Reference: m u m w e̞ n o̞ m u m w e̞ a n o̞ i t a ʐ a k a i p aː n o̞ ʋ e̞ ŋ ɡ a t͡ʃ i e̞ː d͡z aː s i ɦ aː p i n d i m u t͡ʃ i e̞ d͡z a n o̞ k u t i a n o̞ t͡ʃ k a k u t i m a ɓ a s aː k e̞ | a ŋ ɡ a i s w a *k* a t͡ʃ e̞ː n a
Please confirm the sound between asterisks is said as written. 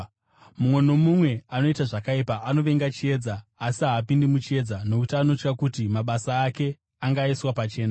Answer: no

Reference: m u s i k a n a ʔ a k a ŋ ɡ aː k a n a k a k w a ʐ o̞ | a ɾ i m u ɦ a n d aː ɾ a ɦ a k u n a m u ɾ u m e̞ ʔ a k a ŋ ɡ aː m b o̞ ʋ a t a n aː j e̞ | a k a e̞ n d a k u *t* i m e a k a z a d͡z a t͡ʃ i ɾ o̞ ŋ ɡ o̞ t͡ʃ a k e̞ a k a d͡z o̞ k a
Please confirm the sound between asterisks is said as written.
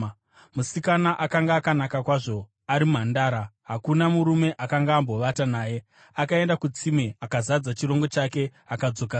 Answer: no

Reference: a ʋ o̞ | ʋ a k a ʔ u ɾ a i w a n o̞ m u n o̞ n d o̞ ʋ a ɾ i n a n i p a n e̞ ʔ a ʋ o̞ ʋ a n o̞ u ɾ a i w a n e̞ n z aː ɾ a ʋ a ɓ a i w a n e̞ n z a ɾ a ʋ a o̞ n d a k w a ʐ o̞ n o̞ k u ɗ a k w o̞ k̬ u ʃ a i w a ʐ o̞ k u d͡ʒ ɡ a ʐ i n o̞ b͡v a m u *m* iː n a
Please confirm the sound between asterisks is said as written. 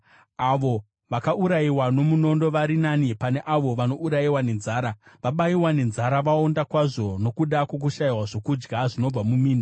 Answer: yes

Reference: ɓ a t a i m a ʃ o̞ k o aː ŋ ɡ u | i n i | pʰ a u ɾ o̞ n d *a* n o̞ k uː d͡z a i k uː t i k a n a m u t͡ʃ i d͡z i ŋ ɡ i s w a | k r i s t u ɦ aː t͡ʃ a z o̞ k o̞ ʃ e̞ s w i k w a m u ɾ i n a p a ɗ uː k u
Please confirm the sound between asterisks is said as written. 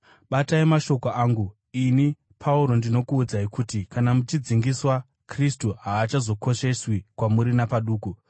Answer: no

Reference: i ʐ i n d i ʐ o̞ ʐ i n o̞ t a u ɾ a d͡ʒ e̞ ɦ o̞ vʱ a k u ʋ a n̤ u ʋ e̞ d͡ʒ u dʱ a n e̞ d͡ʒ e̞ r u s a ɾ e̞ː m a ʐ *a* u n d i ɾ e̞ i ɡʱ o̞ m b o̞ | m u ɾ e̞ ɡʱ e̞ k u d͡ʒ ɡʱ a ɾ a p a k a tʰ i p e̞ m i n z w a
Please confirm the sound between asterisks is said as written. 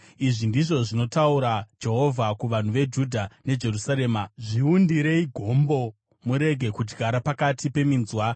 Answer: no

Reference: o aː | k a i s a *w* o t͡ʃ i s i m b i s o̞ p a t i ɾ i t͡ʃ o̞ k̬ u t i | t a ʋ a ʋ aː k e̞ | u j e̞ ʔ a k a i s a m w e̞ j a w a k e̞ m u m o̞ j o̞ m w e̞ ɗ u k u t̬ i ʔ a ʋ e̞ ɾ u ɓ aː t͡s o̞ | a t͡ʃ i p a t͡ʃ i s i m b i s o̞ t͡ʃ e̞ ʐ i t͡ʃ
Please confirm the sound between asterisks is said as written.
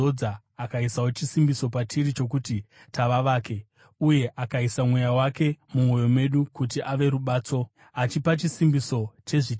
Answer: yes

